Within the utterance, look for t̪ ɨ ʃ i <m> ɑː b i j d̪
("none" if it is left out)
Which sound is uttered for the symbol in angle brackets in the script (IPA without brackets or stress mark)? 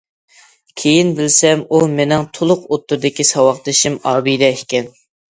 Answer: m